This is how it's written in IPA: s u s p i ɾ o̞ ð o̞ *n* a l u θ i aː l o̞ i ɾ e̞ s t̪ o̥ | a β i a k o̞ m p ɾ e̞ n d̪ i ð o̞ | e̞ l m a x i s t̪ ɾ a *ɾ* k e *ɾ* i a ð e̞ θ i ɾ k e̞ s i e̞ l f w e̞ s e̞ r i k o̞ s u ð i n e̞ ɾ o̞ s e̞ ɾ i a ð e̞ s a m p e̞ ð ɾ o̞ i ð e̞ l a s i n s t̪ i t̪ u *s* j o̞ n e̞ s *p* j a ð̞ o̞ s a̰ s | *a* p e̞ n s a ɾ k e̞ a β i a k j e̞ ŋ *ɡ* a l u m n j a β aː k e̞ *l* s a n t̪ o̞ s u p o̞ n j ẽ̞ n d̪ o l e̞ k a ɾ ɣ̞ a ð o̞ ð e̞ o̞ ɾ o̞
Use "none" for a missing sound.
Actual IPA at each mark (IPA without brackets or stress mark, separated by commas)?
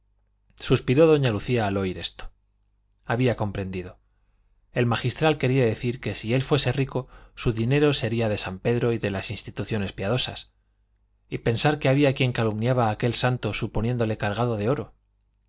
ɲ, l, ɾ, θ, p, i, k, l